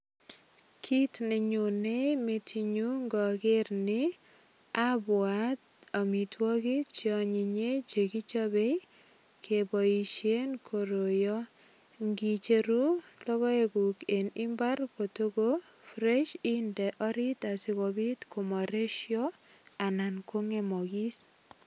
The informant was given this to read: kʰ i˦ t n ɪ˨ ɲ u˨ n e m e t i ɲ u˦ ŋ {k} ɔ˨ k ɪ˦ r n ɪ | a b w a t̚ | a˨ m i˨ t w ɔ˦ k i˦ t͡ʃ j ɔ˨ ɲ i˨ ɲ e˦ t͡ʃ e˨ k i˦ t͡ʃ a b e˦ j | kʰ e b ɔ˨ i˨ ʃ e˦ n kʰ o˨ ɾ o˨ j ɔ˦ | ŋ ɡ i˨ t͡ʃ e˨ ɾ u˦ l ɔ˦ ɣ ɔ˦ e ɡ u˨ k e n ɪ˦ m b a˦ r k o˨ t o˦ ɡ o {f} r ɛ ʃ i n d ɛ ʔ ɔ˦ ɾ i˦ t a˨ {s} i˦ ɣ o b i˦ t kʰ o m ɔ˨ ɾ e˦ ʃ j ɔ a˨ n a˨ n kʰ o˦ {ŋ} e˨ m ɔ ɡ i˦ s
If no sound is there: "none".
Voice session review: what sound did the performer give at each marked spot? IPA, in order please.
ɡ, f, s, ŋ

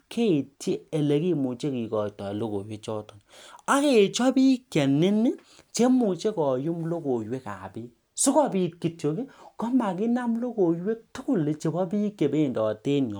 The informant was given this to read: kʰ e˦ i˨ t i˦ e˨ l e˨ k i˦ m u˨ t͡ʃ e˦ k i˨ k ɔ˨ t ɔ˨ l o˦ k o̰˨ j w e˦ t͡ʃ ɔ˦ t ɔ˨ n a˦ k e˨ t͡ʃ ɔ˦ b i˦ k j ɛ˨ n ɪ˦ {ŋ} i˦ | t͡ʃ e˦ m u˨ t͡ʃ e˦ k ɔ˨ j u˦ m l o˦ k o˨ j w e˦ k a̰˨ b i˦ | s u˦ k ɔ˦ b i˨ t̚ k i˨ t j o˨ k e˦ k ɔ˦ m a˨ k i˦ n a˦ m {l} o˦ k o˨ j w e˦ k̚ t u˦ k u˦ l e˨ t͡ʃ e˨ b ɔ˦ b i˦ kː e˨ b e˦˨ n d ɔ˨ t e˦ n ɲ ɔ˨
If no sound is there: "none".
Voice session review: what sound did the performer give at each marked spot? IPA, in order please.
n, l

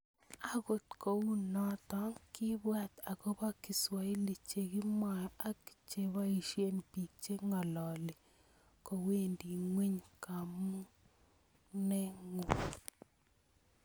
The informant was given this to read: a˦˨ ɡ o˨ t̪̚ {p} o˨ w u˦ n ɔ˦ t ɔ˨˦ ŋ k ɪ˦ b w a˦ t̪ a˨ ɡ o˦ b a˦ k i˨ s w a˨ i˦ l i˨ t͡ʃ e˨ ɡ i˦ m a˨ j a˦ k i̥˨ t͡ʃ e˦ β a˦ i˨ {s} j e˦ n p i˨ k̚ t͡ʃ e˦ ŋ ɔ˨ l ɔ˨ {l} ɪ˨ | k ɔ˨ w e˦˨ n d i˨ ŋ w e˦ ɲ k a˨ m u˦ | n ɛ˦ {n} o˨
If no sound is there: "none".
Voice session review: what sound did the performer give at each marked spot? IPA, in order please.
k, ʃ, l, ŋ

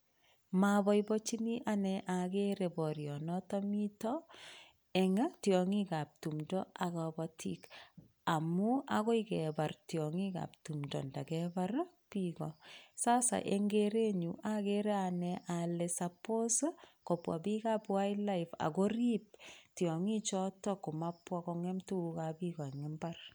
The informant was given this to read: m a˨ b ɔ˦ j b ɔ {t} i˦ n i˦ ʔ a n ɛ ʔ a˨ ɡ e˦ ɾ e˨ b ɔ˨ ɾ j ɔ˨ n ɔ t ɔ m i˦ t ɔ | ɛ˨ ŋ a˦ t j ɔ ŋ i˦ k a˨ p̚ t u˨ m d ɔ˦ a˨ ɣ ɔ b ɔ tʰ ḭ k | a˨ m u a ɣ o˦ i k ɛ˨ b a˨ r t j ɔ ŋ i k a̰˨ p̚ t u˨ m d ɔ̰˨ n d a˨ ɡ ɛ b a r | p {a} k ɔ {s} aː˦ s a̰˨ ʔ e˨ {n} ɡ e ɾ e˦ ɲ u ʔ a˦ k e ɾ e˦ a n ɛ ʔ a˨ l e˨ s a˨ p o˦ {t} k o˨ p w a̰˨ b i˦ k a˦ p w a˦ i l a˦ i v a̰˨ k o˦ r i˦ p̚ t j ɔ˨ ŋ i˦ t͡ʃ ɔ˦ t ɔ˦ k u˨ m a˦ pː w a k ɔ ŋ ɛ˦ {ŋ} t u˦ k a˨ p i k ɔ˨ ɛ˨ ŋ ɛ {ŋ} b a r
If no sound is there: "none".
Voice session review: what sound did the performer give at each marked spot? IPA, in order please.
t͡ʃ, i, s, ŋ, s, m, m

